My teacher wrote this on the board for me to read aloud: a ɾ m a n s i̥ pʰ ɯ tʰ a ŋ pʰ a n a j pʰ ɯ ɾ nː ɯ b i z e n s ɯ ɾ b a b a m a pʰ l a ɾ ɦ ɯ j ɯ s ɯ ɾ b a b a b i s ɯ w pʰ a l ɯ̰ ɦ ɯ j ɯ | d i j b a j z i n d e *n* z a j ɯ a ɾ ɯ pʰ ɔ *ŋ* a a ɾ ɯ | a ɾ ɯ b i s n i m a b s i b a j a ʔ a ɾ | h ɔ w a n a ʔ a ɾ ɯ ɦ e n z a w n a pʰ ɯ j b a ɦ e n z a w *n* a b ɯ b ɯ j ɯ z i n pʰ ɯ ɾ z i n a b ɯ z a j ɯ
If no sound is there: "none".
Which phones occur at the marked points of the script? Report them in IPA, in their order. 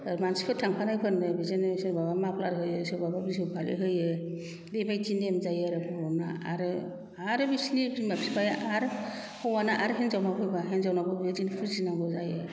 m, n, n

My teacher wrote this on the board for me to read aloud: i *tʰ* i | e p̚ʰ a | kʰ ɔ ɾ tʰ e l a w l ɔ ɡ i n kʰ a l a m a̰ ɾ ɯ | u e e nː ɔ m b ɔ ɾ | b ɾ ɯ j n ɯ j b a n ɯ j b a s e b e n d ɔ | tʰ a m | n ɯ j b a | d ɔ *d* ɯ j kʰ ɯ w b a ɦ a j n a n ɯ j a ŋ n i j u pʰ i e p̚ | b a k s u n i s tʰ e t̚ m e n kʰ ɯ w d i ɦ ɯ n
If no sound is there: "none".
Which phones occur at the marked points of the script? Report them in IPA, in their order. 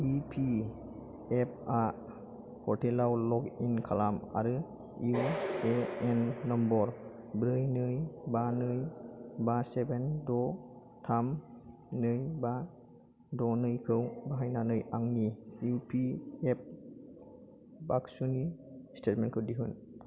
pʰ, n

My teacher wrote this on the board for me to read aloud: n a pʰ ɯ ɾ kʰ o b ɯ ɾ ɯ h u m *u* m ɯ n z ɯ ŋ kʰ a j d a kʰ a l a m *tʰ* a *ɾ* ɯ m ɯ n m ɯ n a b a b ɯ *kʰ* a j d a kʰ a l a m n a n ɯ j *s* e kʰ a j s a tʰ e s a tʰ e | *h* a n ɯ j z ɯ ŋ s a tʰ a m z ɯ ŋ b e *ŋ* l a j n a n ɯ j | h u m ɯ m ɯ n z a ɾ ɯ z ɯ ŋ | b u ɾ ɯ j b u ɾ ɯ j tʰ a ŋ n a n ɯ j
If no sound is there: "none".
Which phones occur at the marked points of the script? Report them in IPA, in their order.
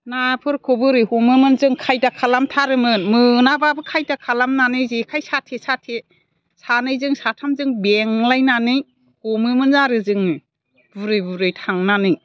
ɯ, tʰ, ɾ, kʰ, z, s, ŋ

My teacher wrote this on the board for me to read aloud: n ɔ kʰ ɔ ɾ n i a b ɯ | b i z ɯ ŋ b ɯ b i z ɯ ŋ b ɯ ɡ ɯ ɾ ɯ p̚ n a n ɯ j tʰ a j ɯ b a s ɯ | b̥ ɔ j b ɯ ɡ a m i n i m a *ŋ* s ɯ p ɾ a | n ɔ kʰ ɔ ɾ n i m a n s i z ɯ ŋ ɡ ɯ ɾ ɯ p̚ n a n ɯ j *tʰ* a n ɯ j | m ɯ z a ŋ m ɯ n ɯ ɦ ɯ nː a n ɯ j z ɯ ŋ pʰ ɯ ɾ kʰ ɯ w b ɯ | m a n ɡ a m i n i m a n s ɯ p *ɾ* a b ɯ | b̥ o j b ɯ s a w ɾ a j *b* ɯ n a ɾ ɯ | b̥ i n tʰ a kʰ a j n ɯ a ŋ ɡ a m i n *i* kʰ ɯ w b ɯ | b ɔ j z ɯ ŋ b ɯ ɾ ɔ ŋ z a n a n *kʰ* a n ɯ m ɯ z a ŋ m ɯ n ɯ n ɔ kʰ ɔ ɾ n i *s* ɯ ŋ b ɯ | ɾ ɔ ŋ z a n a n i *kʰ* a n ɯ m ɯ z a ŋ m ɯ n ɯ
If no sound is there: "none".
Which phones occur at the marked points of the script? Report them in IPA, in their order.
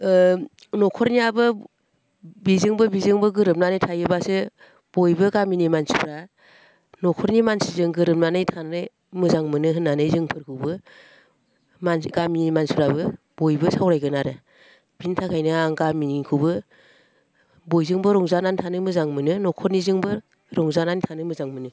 n, tʰ, ɾ, ɡ, i, tʰ, z, tʰ

